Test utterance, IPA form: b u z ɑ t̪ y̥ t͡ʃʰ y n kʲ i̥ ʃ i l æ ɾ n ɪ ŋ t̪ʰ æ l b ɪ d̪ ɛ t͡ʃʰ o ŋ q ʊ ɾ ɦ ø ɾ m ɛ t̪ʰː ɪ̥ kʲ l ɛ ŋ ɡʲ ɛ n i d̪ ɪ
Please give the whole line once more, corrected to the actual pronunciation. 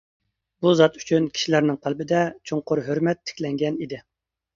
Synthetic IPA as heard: b u z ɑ t̪ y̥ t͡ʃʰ y n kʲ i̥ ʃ i l æ ɾ n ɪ ŋ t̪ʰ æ l b ɪ d̪ ɛ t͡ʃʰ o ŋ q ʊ ɾ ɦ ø ɾ m ɛ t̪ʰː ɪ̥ kʲ l ɛ ŋ ɡʲ ɛ n i d̪ ɪ